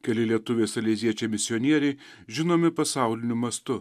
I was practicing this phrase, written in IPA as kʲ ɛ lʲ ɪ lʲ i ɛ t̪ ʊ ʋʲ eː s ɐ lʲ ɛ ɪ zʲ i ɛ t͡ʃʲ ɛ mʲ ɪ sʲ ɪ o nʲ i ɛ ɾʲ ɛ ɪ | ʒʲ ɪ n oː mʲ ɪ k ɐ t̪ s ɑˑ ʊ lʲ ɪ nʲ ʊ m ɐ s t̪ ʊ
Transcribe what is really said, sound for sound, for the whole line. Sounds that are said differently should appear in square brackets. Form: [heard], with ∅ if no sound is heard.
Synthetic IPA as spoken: kʲ ɛ lʲ ɪ lʲ i ɛ t̪ ʊ ʋʲ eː s ɐ lʲ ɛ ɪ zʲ i ɛ t͡ʃʲ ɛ mʲ ɪ sʲ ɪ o nʲ i ɛ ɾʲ ɛ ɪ | ʒʲ ɪ n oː mʲ ɪ [p] ɐ [∅] s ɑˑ ʊ lʲ ɪ nʲ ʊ m ɐ s t̪ ʊ

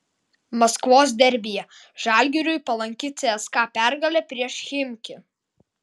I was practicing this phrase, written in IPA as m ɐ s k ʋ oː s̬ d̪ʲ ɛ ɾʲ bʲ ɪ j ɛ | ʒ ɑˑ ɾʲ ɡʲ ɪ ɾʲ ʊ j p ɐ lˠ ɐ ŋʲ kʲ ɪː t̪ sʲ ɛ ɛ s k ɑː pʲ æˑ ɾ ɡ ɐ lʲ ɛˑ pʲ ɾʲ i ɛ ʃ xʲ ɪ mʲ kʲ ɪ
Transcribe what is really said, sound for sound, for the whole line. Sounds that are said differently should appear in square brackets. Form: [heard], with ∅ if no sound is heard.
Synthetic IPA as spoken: m ɐ s k ʋ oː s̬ d̪ʲ ɛ ɾʲ bʲ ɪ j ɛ | ʒ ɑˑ [lʲ] ɡʲ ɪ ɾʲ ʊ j p ɐ lˠ ɐ ŋʲ kʲ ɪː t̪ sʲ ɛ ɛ s k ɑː pʲ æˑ ɾ ɡ ɐ lʲ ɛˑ pʲ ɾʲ i ɛ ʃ xʲ ɪ mʲ kʲ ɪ

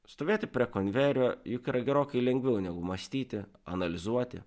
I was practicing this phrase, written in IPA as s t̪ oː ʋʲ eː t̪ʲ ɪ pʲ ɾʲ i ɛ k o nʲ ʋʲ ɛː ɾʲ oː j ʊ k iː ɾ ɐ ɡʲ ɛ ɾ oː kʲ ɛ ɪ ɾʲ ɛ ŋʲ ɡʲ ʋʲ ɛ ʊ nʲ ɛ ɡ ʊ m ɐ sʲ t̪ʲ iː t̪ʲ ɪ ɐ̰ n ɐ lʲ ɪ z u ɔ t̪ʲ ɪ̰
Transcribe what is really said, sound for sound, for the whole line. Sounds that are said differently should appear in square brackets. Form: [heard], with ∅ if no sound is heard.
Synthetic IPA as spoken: s t̪ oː ʋʲ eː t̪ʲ ɪ pʲ ɾʲ i ɛ k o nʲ ʋʲ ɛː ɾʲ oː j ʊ k iː ɾ ɐ ɡʲ ɛ ɾ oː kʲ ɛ ɪ [lʲ] ɛ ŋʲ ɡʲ ʋʲ ɛ ʊ nʲ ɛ ɡ ʊ m ɐ sʲ t̪ʲ iː t̪ʲ ɪ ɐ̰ n ɐ lʲ ɪ z u ɔ t̪ʲ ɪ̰

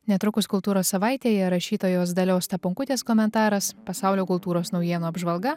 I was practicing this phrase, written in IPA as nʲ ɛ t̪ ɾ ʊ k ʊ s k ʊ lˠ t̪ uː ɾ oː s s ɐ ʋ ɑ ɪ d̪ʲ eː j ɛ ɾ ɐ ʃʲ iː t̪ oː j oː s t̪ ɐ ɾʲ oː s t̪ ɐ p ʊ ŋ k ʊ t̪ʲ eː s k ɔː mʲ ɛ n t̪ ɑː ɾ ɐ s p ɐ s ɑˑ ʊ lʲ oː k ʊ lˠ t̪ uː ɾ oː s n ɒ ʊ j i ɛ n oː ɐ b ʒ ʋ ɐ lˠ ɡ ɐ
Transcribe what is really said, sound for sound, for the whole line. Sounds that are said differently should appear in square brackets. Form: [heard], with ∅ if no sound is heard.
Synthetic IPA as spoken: nʲ ɛ t̪ ɾ ʊ k ʊ s k ʊ lˠ t̪ uː ɾ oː s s ɐ ʋ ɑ ɪ [t̪ʲ] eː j ɛ ɾ ɐ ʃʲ iː t̪ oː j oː s [d̪] ɐ [lʲ] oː s t̪ ɐ p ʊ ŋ k ʊ t̪ʲ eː s k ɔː mʲ ɛ n t̪ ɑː ɾ ɐ s p ɐ s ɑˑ ʊ lʲ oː k ʊ lˠ t̪ uː ɾ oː s n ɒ ʊ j i ɛ n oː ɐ b ʒ ʋ ɐ lˠ ɡ ɐ

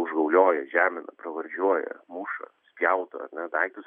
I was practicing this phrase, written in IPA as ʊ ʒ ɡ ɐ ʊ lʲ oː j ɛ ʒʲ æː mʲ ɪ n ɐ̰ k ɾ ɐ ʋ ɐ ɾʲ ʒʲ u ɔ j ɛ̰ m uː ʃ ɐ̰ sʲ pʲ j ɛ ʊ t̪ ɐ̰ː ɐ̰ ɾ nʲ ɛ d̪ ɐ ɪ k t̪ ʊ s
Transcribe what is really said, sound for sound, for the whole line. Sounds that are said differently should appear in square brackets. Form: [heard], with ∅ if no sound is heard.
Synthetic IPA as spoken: ʊ ʒ ɡ ɐ ʊ lʲ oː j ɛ ʒʲ æː mʲ ɪ n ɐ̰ [p] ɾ ɐ ʋ ɐ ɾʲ ʒʲ u ɔ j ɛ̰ m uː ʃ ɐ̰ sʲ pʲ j ɛ ʊ t̪ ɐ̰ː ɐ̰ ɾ nʲ ɛ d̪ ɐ ɪ k t̪ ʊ s

